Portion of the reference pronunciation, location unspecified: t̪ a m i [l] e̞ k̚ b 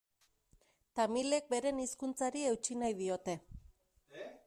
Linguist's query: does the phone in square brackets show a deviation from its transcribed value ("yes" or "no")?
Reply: no